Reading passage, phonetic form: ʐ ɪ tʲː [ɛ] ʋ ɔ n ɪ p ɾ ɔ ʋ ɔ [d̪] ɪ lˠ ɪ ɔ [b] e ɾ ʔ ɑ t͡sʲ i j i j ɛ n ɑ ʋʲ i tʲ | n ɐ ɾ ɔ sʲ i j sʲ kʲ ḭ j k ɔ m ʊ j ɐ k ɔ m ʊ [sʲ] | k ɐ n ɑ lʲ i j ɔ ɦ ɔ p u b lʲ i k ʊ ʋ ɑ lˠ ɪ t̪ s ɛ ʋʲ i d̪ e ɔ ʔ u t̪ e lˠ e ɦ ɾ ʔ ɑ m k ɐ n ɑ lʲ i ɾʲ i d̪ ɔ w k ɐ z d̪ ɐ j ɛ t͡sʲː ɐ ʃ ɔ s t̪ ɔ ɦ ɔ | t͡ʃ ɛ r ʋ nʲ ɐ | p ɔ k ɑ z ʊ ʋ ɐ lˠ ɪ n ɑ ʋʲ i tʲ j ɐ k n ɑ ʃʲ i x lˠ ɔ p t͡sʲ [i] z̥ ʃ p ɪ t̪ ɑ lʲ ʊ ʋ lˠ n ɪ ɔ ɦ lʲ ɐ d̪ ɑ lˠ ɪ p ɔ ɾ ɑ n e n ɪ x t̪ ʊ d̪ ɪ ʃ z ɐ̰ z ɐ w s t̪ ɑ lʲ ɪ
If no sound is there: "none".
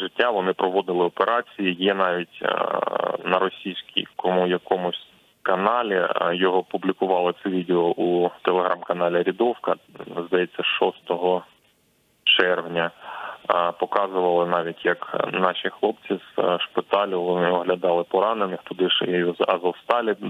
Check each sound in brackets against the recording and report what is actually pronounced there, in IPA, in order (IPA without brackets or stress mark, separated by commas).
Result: a, d̪, p, sʲ, i